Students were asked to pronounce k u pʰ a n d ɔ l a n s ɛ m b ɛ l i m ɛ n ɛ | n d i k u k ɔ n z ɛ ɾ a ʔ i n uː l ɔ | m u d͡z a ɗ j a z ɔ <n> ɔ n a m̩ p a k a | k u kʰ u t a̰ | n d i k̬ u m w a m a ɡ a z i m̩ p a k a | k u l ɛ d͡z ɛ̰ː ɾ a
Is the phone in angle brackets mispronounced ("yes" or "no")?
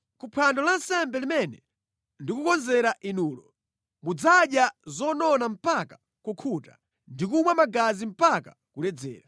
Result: no